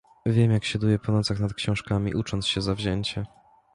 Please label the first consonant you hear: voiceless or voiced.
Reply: voiced